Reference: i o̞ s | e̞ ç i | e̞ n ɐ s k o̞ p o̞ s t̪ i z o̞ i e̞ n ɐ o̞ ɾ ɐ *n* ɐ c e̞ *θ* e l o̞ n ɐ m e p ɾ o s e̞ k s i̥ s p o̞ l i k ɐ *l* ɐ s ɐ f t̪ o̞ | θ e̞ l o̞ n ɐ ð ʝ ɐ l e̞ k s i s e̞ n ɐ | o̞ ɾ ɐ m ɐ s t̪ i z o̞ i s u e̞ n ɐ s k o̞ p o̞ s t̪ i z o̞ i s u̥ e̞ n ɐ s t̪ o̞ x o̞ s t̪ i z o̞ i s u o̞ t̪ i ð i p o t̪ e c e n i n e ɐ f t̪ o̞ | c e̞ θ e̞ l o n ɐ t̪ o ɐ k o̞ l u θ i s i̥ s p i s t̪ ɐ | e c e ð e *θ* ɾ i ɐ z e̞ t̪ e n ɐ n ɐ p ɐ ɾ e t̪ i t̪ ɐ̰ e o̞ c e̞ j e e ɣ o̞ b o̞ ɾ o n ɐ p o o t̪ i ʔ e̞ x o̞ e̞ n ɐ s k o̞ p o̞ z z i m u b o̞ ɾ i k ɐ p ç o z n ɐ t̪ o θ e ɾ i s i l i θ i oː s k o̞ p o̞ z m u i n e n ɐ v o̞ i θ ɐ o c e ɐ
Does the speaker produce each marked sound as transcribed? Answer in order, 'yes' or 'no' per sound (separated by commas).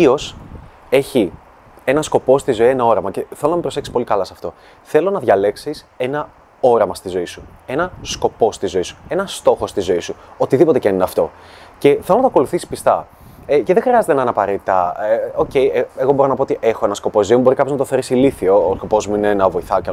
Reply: no, yes, yes, no